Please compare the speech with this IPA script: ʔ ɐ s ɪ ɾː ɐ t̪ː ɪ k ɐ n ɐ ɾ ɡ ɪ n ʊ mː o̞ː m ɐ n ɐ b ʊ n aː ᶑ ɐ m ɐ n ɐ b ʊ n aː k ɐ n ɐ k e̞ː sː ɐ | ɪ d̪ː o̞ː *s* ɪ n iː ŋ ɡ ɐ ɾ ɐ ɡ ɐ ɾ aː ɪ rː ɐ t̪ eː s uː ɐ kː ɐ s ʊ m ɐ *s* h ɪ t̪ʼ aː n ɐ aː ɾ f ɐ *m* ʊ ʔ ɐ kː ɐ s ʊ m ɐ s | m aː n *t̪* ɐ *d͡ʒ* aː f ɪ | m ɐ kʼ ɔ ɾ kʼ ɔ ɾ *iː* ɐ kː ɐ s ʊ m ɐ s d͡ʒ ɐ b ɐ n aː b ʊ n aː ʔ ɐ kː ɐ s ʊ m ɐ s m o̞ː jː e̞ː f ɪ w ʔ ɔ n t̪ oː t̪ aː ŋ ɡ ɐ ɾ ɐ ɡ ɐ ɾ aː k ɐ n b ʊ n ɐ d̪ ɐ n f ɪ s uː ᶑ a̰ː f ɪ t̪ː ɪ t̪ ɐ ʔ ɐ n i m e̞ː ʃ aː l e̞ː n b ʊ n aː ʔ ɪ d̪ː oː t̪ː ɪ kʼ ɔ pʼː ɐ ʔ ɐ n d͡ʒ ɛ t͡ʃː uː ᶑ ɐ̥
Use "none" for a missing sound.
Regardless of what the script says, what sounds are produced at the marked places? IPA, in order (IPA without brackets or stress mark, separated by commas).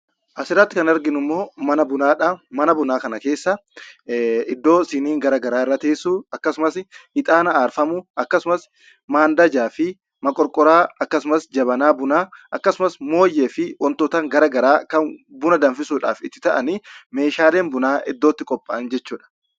s, s, m, d̪, d͡ʒ, aː